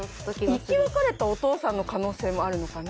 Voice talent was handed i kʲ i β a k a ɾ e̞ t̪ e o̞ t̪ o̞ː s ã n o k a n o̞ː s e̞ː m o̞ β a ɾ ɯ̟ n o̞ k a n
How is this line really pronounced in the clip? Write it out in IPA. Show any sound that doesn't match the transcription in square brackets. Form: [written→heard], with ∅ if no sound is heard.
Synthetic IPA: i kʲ i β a k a ɾ e̞ t̪ [e→a] o̞ t̪ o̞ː s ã [n→nː] o k a n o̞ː s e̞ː m o̞ [β→∅] a ɾ ɯ̟ n o̞ k a n